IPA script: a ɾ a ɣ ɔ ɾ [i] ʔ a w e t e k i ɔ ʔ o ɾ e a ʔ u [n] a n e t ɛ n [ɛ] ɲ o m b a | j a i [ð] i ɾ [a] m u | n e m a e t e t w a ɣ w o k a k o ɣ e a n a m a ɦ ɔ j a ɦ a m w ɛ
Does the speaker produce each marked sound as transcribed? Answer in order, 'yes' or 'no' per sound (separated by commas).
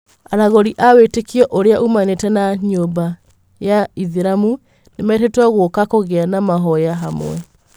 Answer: yes, no, no, yes, yes